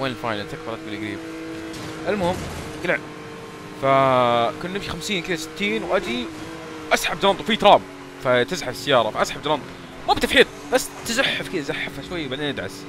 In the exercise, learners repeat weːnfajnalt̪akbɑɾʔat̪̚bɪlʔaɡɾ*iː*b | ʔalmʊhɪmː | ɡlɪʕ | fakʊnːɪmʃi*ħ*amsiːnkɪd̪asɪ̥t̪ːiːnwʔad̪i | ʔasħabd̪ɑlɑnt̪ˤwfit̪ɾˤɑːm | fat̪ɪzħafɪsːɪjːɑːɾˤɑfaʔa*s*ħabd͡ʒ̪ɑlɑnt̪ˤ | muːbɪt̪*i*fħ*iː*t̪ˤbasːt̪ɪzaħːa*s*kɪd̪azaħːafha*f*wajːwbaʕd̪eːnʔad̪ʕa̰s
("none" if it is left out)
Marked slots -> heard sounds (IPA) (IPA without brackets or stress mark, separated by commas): iː, x, s, a, iː, f, ʃ